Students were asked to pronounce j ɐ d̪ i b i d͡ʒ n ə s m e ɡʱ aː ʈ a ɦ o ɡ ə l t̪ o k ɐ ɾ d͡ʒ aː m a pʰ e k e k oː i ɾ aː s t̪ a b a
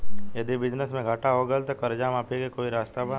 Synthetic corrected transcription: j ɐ d̪ i b ɪ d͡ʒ n ə s m ẽ ɡʱ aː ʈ a ɦ o ɡ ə l t̪ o k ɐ ɾ d͡ʒ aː m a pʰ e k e k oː i ɾ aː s t̪ a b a